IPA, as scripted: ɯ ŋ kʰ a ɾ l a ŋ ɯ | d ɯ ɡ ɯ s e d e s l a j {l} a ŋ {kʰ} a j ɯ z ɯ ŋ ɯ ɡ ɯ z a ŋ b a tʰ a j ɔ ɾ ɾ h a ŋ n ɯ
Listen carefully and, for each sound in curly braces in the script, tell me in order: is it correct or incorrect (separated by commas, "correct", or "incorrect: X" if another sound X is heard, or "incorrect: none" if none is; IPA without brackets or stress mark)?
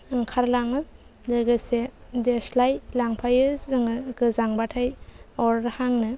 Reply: correct, incorrect: pʰ